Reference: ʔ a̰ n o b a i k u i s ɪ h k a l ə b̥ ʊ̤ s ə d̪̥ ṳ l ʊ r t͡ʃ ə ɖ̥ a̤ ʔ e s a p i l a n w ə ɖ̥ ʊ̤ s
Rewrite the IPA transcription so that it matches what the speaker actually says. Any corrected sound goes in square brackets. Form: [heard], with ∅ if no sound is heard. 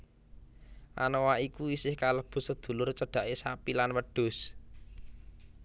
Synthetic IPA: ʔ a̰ n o [w] a i k u i s ɪ h k a l ə b̥ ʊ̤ s ə d̪̥ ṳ l ʊ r t͡ʃ ə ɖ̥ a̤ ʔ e s a p i l a n w ə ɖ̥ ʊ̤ s